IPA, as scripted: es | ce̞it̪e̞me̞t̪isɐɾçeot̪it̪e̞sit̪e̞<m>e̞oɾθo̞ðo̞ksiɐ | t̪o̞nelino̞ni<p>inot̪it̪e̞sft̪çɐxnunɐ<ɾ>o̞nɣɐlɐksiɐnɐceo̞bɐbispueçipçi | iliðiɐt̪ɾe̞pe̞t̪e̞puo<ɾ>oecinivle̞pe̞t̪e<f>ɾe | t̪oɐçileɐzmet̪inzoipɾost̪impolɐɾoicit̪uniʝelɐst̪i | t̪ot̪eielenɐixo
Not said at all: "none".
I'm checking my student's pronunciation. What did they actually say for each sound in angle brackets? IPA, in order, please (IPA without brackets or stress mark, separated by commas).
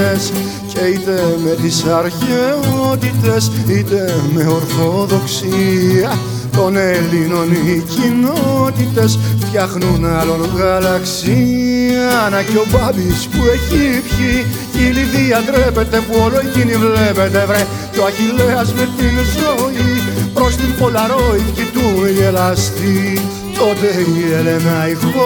m, c, l, l, v